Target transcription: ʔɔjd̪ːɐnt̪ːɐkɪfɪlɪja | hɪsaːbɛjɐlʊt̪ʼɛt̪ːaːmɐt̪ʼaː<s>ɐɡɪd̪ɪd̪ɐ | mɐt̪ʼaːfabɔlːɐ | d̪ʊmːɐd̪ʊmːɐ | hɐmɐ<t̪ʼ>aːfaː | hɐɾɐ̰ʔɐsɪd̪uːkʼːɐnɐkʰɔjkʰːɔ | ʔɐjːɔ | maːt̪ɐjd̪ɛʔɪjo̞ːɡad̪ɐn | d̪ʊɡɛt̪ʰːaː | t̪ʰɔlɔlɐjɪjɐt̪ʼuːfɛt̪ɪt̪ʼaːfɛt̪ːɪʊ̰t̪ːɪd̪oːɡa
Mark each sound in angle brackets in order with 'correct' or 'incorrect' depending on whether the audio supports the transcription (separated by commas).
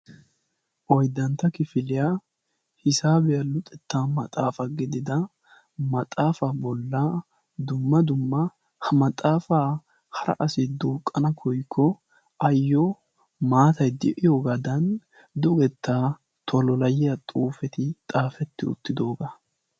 incorrect, correct